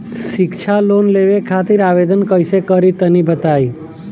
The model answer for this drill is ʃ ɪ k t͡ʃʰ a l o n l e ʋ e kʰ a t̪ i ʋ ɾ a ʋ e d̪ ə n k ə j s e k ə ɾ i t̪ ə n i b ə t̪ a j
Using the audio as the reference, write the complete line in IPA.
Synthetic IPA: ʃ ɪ k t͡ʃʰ a l o n l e ʋ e kʰ a t̪ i ɾ a ʋ e d̪ ə n k ə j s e k ə ɾ i t̪ ə n i b ə t̪ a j